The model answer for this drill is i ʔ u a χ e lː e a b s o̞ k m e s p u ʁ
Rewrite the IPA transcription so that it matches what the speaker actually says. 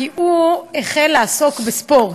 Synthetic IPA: i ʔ u e χ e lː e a s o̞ k b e s p o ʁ